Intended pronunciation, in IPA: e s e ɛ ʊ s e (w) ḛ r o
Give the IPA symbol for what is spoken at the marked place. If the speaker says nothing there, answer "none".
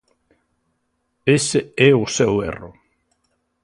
w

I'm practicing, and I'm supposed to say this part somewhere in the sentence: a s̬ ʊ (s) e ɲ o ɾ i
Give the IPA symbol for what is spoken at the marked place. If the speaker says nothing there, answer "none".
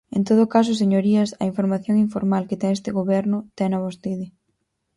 s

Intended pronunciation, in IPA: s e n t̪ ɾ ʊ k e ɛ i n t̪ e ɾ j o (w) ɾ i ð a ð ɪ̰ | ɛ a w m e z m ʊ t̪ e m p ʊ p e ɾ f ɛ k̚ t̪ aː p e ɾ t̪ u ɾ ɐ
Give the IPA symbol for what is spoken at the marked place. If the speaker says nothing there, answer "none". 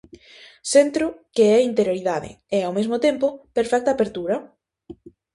none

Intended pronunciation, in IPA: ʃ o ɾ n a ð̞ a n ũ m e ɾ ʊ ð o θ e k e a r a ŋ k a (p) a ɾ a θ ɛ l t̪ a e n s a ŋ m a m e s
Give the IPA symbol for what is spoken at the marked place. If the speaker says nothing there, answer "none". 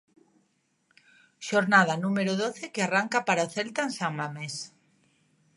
p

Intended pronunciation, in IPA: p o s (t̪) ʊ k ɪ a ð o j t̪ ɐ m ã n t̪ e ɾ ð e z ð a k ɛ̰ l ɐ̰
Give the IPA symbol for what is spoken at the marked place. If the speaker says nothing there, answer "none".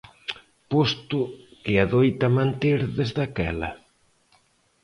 t̪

